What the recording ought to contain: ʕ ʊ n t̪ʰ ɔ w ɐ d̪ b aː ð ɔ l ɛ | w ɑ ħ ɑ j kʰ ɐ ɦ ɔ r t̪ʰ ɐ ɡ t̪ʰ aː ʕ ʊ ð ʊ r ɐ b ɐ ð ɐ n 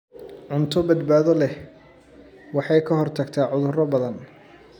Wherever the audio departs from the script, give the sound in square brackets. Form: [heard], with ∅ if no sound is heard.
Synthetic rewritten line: ʕ ʊ n t̪ʰ ɔ [b] ɐ d̪ b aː ð ɔ l ɛ | w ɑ ħ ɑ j kʰ ɐ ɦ ɔ r t̪ʰ ɐ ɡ t̪ʰ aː ʕ ʊ ð ʊ r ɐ b ɐ ð ɐ n